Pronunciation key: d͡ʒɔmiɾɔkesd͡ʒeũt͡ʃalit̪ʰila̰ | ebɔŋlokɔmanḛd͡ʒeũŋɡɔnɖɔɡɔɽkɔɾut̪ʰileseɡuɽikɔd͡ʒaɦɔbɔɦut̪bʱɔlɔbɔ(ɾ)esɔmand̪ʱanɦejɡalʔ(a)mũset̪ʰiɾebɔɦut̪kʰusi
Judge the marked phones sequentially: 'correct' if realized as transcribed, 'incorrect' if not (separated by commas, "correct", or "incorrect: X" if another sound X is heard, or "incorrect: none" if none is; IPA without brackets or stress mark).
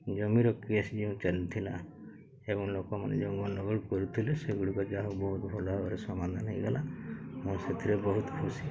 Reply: correct, correct